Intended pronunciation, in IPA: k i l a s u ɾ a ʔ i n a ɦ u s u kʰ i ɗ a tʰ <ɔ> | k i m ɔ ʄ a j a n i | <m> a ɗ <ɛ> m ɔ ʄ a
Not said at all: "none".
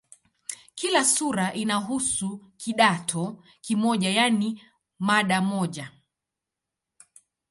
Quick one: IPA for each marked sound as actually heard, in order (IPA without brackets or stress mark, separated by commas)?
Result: ɔ, m, a